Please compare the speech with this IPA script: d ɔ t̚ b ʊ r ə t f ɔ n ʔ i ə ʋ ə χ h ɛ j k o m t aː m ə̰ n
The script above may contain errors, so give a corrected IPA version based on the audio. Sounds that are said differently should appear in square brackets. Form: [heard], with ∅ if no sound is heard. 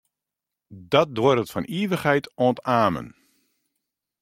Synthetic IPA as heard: d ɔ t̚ [d] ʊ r ə t f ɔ n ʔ i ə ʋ ə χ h ɛ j [t] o [n] t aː m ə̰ n

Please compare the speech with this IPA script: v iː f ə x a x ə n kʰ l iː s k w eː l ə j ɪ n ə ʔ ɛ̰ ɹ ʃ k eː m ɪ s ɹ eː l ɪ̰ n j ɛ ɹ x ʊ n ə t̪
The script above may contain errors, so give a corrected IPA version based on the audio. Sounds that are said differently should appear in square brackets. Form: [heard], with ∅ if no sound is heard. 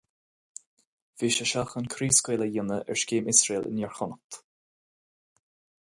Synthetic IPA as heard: v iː [ʃ] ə [ʃ] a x ə n kʰ [ɾ] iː s k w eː l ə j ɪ n ə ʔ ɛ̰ ɹ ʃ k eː m ɪ s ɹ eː l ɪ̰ n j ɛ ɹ x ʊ n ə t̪

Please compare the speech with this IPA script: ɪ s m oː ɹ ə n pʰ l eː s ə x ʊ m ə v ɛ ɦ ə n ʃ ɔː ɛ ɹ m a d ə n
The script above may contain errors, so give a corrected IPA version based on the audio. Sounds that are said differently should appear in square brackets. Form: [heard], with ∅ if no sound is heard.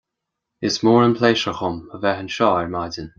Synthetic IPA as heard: ɪ s m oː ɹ ə n pʰ l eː [ʃ] ə x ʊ m ə v ɛ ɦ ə n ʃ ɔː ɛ ɹ m a d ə n

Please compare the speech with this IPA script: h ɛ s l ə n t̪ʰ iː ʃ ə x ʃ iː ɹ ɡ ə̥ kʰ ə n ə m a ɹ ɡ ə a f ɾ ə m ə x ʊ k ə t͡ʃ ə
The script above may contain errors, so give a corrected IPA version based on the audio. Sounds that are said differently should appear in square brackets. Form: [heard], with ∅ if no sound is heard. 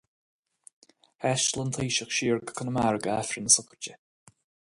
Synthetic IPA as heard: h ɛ [ʃ] l ə n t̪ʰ iː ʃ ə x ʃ iː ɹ ɡ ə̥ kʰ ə n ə m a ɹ ɡ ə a f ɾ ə [n] ə [s] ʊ k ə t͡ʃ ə

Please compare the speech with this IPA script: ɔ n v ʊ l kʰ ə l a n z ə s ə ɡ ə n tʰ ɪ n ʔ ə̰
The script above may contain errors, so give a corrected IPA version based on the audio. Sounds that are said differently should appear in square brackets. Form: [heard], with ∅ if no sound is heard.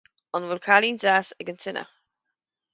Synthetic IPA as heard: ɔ n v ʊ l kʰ [a] l [i] n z [a] s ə ɡ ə n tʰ ɪ n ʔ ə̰

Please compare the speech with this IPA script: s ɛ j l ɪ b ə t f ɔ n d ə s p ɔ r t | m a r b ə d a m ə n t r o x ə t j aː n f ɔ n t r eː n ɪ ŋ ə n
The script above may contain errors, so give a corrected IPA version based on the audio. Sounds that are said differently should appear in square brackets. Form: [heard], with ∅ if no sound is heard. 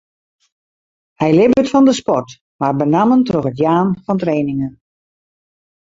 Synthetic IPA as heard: [h] ɛ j l ɪ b ə t f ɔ n d ə s p ɔ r t | m a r b ə [n] a m ə n t r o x ə t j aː n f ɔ n t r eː n ɪ ŋ ə n

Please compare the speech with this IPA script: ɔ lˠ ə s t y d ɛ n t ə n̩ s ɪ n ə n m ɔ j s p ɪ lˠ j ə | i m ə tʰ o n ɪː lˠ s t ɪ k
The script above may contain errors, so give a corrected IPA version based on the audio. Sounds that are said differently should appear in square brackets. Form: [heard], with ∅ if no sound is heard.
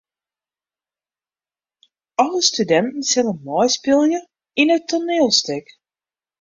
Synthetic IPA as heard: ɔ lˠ ə s t y d ɛ n t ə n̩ s ɪ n ə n m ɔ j s p ɪ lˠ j ə | i [n] ə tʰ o n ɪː lˠ s t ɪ k

